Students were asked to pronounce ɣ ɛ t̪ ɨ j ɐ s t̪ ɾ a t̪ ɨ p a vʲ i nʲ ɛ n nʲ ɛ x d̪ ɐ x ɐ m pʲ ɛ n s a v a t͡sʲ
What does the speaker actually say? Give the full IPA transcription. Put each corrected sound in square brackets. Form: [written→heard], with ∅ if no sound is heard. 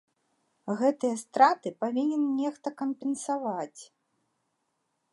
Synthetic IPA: ɣ ɛ t̪ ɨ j ɐ s t̪ ɾ a t̪ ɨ p a vʲ i nʲ ɛ n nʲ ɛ x [d̪→t̪] ɐ [x→k] ɐ m pʲ ɛ n s a v a t͡sʲ